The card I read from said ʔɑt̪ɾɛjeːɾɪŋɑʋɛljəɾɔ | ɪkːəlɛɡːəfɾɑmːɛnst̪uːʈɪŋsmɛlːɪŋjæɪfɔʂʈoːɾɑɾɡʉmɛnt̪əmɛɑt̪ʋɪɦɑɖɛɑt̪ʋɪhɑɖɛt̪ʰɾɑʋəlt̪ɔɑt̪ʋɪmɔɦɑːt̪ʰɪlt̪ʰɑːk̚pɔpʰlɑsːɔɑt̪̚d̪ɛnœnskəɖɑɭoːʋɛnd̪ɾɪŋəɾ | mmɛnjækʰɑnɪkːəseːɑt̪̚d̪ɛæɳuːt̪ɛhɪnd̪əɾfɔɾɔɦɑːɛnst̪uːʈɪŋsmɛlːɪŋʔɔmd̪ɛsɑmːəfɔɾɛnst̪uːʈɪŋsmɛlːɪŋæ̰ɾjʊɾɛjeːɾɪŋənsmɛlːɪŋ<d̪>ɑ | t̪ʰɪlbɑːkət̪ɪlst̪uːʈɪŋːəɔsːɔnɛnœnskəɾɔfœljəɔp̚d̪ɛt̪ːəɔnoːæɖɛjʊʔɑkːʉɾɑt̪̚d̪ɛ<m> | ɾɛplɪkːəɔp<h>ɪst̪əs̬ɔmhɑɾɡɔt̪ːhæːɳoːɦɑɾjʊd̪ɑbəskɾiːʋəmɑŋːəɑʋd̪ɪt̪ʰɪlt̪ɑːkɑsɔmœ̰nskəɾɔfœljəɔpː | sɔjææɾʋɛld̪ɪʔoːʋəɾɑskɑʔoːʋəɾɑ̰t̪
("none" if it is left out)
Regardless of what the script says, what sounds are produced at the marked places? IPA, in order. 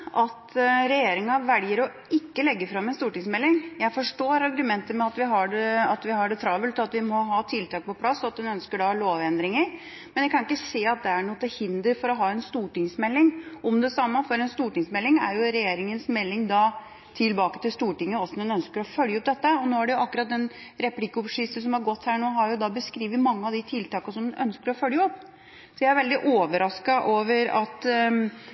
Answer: d̪, n, ʂ

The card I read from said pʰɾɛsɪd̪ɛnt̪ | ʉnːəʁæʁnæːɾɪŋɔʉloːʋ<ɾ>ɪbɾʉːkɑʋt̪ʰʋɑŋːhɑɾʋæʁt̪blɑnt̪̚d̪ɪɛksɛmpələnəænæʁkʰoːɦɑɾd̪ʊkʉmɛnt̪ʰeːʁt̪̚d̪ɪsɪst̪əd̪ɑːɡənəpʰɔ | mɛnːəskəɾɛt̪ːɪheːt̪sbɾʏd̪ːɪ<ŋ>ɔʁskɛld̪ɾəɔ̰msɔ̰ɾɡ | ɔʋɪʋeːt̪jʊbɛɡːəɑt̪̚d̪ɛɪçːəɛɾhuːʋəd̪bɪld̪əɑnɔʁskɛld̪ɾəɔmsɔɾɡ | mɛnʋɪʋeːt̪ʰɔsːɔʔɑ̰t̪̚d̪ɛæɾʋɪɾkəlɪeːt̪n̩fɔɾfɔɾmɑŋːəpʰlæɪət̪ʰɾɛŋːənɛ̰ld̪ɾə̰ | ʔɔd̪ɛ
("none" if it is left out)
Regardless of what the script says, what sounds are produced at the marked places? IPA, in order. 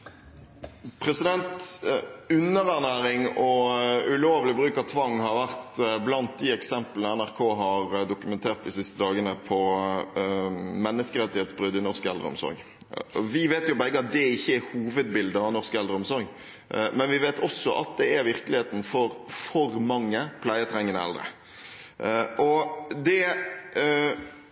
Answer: l, n

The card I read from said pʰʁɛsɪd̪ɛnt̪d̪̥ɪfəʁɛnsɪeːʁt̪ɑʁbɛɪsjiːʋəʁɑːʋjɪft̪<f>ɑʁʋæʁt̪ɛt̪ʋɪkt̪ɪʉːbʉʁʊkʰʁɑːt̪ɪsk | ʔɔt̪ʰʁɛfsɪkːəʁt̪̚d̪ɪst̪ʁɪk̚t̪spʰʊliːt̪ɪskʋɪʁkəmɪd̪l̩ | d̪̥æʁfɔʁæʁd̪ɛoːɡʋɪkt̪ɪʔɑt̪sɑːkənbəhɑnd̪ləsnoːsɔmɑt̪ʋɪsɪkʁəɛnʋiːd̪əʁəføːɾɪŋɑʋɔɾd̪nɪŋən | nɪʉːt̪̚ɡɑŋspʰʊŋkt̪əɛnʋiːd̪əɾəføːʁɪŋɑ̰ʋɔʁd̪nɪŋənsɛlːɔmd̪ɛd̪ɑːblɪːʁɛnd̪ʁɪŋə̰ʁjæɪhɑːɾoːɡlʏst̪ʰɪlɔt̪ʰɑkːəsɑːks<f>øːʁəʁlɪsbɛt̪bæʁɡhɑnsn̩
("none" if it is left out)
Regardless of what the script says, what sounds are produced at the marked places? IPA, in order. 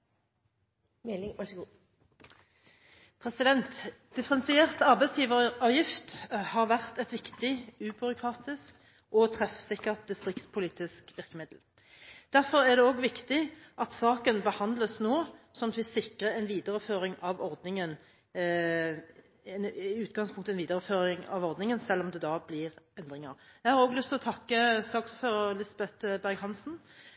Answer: h, f

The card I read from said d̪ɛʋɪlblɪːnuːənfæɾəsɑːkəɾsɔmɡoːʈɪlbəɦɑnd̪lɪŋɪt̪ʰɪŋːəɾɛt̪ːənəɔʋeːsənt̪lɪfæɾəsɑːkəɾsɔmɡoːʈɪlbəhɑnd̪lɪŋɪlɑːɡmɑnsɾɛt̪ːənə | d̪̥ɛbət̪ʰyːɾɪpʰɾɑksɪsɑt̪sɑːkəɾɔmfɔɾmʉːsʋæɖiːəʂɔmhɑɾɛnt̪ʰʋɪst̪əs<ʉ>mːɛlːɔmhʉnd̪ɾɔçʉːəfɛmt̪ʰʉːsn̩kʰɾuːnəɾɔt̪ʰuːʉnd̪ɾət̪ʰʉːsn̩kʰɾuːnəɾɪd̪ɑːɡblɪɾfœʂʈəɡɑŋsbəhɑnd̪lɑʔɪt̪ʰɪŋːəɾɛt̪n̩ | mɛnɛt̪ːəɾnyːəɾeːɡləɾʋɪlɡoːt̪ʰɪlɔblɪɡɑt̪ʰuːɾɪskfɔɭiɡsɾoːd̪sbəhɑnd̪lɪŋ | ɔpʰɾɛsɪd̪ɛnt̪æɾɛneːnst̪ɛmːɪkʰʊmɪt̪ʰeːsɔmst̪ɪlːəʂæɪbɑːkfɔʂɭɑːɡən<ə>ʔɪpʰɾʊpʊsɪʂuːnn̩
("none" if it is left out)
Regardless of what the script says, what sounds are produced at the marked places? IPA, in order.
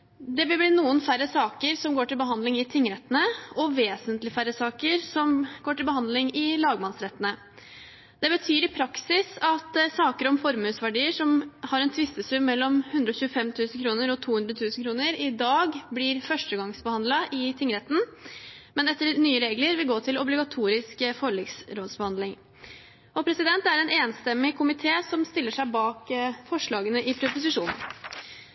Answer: ʉ, ə

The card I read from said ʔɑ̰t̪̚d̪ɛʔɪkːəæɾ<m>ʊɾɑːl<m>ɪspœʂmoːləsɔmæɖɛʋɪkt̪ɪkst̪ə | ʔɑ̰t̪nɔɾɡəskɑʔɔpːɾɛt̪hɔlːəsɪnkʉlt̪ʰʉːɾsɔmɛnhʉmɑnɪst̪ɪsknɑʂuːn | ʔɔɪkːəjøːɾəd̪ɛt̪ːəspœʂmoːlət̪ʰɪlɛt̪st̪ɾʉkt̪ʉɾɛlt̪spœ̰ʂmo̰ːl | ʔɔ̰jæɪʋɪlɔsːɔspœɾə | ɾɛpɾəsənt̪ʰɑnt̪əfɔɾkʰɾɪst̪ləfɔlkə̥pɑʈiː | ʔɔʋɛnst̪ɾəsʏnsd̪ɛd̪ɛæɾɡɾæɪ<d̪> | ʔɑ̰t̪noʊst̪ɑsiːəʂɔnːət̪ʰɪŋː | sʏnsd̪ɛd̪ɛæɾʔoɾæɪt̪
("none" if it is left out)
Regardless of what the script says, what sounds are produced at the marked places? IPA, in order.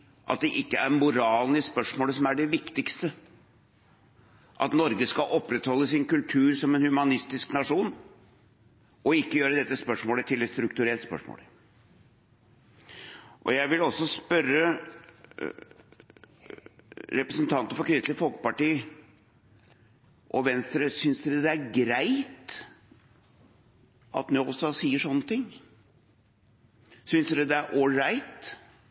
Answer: m, n, t̪

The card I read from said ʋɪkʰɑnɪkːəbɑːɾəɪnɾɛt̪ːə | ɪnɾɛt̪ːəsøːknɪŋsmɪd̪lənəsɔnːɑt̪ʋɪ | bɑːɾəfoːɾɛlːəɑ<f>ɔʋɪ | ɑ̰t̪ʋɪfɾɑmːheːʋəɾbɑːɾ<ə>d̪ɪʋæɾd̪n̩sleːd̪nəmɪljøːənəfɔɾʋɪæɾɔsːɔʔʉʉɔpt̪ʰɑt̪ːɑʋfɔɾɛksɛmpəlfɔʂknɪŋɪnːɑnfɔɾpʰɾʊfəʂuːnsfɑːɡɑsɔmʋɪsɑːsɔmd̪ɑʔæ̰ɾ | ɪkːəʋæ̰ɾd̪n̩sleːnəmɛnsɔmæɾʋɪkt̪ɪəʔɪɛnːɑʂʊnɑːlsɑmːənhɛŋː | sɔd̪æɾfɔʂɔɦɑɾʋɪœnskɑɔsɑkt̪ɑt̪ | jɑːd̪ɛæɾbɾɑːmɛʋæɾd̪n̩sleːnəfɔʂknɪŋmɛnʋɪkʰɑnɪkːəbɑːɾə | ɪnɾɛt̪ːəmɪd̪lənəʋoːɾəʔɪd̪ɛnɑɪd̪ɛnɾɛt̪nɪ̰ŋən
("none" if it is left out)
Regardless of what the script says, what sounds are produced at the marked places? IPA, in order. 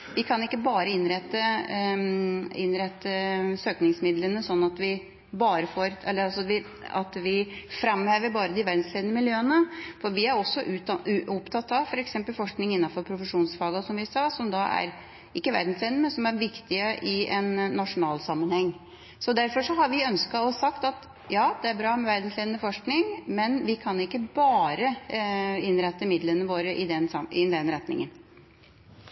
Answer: s, ə

